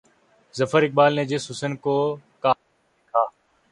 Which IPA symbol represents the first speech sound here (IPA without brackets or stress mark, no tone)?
z